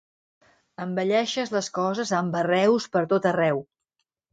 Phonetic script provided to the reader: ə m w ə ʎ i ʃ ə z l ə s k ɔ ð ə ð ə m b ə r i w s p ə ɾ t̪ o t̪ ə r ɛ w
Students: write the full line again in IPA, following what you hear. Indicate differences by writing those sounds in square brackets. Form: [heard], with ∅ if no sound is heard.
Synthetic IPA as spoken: ə m [b] ə ʎ [ɛ] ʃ ə z l ə s k ɔ [z] ə [z] ə m b ə r [ɛ] w s p ə ɾ t̪ o t̪ ə r ɛ w

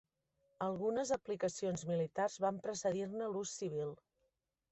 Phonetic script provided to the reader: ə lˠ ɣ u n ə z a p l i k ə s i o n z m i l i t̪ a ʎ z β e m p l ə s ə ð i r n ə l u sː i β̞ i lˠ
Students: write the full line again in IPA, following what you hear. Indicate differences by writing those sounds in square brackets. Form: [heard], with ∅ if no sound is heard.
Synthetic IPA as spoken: ə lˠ ɣ u n ə z [ə] p l i k ə s i o n z m i l i t̪ a [r] z β [a] m p [ɾ] ə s ə ð i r n ə l u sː i β̞ i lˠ

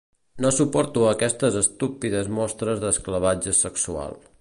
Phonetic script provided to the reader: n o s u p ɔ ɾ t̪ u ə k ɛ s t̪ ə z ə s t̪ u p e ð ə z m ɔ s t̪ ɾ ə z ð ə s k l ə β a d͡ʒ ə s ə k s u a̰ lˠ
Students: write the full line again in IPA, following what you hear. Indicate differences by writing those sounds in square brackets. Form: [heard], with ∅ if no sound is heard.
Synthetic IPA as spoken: n o s u p ɔ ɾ t̪ u ə k ɛ s t̪ ə z ə s t̪ u p [i] ð ə z m ɔ s t̪ ɾ ə z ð ə s k l ə β a d͡ʒ ə s ə k s u a̰ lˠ

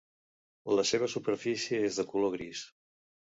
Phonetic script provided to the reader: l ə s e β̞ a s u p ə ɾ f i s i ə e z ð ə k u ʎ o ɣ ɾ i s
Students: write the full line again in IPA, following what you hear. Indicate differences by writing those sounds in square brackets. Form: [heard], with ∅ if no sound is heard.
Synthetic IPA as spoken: l ə s e β̞ [ə] s u p ə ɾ f i s i ə e z ð ə k u [l] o ɣ ɾ i s

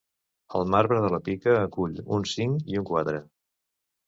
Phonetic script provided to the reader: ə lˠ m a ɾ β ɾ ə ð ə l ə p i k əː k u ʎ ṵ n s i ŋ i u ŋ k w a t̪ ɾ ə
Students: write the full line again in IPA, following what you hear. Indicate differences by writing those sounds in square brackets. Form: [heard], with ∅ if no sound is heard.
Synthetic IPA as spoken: ə lˠ m a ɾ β ɾ ə ð ə l ə p i k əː k u ʎ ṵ n s i ŋ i u ŋ k w a t̪ ɾ ə

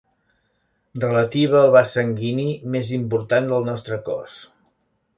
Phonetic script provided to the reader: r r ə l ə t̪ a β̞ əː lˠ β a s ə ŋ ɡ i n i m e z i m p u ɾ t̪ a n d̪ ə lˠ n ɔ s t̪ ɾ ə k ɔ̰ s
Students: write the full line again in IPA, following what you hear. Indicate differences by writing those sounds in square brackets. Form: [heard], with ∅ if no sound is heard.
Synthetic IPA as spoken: r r ə l ə t̪ [i] β̞ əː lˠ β a s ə ŋ ɡ i n i m e z i m p u ɾ t̪ a n d̪ ə lˠ n ɔ s t̪ ɾ ə k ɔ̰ s

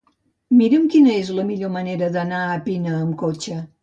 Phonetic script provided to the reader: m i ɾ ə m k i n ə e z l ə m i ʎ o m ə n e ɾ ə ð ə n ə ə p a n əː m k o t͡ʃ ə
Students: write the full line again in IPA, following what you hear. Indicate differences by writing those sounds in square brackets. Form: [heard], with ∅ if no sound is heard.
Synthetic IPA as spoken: m i ɾ ə m k i n ə e z l ə m i ʎ o m ə n e ɾ ə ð ə n [a] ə p [i] n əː m k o t͡ʃ ə

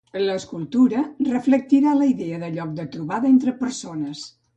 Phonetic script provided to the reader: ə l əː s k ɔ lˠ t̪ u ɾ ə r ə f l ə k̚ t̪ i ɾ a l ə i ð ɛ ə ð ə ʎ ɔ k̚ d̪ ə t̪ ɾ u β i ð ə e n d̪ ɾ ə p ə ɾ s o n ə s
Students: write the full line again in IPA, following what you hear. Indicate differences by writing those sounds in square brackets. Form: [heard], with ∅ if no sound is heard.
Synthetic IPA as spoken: ə l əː s k [u] lˠ t̪ u ɾ ə r ə f l ə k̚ t̪ i ɾ a l ə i ð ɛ ə ð ə ʎ ɔ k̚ d̪ ə t̪ ɾ u β [a] ð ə e n [t̪] ɾ ə p ə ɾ s o n ə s

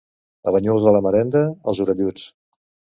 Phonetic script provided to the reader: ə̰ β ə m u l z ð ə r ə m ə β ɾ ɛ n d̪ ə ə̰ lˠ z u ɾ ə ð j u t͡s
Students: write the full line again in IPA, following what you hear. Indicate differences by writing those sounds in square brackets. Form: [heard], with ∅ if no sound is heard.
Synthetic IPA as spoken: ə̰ β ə [ɲ] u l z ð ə [l] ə m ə [∅] ɾ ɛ n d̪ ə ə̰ lˠ z u ɾ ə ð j u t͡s

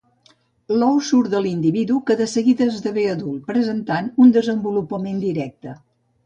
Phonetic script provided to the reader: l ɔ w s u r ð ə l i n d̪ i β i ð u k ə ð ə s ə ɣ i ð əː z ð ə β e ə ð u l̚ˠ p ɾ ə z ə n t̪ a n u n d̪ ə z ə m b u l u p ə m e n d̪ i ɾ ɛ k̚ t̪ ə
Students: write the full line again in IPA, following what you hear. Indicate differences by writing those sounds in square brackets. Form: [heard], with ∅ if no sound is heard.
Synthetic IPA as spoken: l ɔ w s u [ɾ] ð ə l i n d̪ i β i ð u k ə ð ə s ə ɣ i ð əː z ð ə β e ə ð u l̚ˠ p ɾ ə z ə n t̪ a n u n d̪ ə z ə m b u l u p ə m e n d̪ i ɾ ɛ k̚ t̪ ə

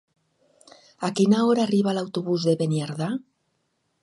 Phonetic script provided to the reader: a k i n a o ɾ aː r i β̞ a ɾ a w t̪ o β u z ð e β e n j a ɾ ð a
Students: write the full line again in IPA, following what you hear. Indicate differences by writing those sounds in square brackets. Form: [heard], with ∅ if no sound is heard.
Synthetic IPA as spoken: a k i n a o ɾ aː r i β̞ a [l] a w t̪ o β u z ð e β e n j a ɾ ð a

